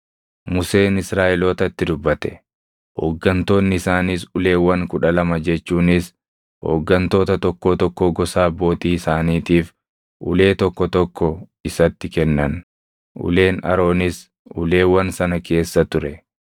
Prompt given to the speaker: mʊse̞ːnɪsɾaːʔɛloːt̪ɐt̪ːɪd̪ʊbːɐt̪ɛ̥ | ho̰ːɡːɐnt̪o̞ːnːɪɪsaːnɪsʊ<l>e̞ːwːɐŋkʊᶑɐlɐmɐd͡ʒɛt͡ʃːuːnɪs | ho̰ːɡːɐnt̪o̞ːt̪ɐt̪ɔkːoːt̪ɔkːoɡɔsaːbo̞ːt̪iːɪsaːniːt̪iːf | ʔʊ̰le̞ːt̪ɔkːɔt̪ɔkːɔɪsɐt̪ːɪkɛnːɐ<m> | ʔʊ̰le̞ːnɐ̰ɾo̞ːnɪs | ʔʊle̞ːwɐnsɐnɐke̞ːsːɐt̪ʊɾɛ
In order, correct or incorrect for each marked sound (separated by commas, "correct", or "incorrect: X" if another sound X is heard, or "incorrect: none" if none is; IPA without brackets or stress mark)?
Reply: correct, incorrect: n